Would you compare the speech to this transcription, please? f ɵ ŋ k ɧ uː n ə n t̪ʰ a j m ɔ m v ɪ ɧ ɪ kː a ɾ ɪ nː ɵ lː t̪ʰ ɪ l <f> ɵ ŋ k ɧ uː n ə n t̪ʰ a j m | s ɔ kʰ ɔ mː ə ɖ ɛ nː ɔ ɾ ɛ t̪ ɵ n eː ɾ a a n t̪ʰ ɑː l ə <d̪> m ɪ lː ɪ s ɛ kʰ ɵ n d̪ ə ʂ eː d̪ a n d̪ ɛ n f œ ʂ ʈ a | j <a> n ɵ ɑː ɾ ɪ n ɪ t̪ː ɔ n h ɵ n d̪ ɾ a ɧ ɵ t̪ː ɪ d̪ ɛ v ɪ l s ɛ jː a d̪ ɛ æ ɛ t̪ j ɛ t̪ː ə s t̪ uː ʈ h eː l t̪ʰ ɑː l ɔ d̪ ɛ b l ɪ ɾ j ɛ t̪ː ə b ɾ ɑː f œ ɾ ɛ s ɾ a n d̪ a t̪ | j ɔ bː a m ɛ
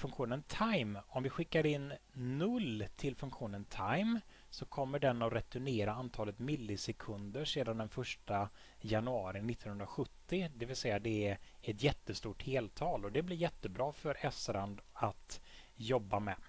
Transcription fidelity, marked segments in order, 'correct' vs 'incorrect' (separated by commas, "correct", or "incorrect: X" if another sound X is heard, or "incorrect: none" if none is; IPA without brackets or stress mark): correct, incorrect: t̪, correct